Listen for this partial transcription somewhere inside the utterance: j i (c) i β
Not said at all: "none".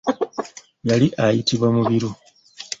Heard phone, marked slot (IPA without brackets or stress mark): t